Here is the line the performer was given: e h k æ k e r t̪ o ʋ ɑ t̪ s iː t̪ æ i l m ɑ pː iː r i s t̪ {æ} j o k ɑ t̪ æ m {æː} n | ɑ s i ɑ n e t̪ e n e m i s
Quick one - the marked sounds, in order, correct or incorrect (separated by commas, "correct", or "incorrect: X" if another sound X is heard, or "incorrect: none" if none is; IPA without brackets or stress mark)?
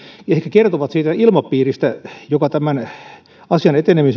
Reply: correct, incorrect: æ